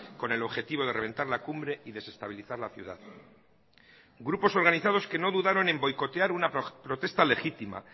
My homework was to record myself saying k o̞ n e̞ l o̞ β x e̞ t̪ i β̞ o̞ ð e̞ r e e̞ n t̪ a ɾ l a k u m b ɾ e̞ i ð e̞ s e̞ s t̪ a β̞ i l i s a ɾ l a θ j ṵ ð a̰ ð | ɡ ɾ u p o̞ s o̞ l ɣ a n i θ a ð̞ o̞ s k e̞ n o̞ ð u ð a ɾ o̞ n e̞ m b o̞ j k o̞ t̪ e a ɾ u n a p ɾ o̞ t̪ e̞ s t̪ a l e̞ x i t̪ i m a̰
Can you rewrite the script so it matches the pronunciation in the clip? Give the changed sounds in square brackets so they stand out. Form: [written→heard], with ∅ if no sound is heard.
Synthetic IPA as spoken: k o̞ n e̞ l o̞ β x e̞ t̪ i β̞ o̞ ð e̞ r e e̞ n t̪ a ɾ l a k u m b ɾ e̞ i ð e̞ s e̞ s t̪ a β̞ i l i [s→θ] a ɾ l a θ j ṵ ð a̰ ð | ɡ ɾ u p o̞ s o̞ [l→ɾ] ɣ a n i θ a ð̞ o̞ s k e̞ n o̞ ð u ð a ɾ o̞ n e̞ m b o̞ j k o̞ t̪ e a ɾ u n a p ɾ o̞ t̪ e̞ s t̪ a l e̞ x i t̪ i m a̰